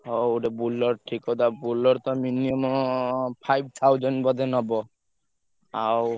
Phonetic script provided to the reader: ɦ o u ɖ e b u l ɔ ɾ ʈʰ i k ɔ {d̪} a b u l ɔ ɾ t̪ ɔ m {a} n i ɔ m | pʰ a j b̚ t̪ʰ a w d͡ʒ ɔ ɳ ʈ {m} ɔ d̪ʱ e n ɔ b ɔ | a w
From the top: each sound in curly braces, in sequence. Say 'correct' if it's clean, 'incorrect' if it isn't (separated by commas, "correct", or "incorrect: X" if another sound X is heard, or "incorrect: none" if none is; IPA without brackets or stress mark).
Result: correct, incorrect: i, incorrect: b